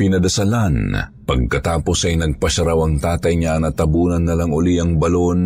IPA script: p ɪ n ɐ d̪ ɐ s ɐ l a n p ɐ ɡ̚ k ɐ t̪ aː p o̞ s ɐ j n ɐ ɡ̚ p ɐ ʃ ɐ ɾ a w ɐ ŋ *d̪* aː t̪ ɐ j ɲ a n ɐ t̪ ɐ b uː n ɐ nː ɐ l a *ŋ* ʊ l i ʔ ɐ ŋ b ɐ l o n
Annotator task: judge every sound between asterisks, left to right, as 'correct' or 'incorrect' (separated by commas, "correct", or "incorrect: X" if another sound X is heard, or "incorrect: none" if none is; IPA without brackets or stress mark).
incorrect: t̪, correct